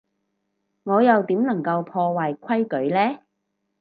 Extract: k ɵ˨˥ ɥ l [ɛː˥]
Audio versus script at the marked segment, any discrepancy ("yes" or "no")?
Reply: no